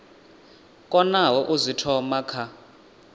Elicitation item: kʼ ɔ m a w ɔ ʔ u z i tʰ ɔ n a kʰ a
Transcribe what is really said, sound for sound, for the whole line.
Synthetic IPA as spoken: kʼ ɔ n a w ɔ ʔ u z i tʰ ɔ m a kʰ a